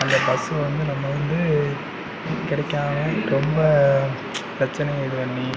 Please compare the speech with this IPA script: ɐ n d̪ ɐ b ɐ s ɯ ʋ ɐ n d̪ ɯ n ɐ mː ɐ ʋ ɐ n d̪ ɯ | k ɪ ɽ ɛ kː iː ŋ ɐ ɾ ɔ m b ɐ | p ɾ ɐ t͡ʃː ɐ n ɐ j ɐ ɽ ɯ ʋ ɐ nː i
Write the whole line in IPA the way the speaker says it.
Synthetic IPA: ɐ n d̪ ɐ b ɐ s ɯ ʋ ɐ n d̪ ɯ n ɐ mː ɐ ʋ ɐ n d̪ ɯ | k ɪ ɽ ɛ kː aː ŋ ɐ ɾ ɔ m b ɐ | p ɾ ɐ t͡ʃː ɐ n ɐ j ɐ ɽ ɯ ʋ ɐ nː i

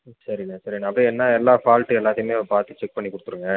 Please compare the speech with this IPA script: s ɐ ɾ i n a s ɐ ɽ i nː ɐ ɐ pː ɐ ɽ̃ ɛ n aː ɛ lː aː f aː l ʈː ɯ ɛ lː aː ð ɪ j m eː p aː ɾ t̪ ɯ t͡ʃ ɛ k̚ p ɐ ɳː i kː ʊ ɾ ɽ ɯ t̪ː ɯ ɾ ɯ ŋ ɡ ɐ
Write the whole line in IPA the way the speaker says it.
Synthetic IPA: s ɐ ɾ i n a s ɐ ɾ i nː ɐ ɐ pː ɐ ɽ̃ ɛ nː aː ɛ lː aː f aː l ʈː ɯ ɛ lː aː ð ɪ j m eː p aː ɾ t̪ ɯ t͡ʃ ɛ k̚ p ɐ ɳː i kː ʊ ɽ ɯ t̪ː ɯ ɾ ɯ ŋ ɡ ɐ

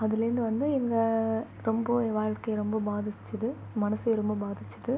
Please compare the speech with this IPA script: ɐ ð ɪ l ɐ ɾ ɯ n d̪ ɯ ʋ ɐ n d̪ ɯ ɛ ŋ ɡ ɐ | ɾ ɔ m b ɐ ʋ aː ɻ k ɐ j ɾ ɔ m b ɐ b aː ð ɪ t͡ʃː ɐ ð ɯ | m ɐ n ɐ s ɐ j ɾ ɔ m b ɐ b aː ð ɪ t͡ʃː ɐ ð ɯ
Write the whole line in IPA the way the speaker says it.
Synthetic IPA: ɐ ð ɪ l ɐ ɾ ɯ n d̪ ɯ ʋ ɐ n d̪ ɯ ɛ ŋ ɡ ɐ | ɾ ɔ m b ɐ ʋ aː ɻ k ɐ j ɾ ɔ m b ɐ b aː ð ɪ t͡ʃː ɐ ð ɯ | m ɐ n ɐ s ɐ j ɾ ɔ m b ɐ b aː ð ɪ t͡ʃː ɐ ð ɯ

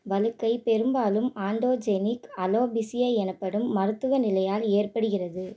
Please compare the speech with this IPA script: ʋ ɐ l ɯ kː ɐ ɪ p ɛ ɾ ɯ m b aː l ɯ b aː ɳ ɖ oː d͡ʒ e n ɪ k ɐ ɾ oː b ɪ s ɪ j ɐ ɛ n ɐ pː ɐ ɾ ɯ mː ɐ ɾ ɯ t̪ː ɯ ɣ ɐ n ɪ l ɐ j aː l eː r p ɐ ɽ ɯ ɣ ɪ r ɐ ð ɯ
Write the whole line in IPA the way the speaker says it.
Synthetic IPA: ʋ ɐ l ɯ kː ɐ ɪ p ɛ ɾ ɯ m b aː l ɯ m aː ɳ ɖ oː d͡ʒ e n ɪ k ɐ l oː b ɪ s ɪ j ɐ ɛ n ɐ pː ɐ ɽ ɯ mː ɐ ɾ ɯ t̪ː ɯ ɣ ɐ n ɪ l ɐ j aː l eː r p ɐ ɽ ɯ ɣ ɪ r ɐ ð ɯ

